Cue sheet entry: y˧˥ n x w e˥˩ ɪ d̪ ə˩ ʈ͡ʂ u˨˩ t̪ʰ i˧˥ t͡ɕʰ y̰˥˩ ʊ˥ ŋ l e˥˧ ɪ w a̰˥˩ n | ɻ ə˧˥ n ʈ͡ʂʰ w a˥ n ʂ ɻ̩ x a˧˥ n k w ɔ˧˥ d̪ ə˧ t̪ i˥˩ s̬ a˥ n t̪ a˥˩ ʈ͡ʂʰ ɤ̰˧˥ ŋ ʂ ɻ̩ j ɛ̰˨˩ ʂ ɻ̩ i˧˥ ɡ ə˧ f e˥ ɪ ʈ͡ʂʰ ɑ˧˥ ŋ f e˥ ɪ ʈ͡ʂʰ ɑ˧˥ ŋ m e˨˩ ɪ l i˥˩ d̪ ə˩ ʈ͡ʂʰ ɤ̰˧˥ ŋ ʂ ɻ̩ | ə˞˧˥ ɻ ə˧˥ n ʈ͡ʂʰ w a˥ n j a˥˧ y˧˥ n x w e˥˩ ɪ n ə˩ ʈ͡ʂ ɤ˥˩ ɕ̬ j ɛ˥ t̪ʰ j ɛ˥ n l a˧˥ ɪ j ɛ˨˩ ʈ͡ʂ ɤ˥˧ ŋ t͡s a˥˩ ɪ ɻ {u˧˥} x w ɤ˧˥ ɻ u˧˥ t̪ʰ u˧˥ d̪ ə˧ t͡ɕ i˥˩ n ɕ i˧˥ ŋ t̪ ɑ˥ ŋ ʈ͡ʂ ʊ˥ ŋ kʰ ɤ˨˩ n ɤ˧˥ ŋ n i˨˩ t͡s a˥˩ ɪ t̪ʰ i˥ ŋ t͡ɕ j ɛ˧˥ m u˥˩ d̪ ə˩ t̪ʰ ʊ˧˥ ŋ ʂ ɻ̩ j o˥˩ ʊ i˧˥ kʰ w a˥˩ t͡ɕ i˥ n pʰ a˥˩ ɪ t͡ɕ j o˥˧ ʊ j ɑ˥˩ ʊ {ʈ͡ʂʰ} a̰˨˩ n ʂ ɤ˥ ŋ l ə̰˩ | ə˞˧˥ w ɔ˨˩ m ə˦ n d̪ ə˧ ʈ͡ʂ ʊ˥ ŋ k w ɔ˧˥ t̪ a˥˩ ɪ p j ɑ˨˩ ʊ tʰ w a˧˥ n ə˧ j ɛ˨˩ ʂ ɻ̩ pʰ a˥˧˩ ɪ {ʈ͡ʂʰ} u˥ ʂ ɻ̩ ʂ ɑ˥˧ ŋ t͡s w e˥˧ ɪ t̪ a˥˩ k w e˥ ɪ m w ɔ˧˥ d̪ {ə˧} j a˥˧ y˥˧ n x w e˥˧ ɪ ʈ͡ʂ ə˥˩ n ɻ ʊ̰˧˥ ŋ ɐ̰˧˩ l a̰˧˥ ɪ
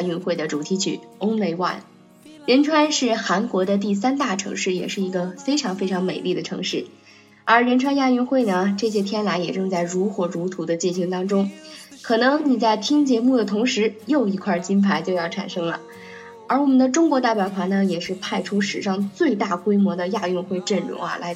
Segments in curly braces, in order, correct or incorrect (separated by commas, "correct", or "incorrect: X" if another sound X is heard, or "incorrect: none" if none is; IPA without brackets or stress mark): correct, correct, correct, correct